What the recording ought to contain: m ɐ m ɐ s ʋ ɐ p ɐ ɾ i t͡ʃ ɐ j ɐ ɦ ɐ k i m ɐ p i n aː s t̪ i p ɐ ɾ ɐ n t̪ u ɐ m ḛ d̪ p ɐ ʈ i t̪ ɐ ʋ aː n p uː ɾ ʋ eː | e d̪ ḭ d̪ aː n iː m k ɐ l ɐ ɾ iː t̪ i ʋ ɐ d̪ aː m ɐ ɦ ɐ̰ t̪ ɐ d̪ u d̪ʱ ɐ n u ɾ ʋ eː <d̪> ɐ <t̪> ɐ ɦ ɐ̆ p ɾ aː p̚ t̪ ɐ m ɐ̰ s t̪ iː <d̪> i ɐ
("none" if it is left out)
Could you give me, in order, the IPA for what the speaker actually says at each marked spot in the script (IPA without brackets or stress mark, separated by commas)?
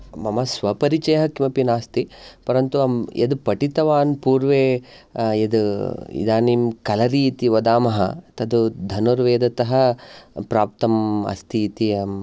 d̪, t̪, t̪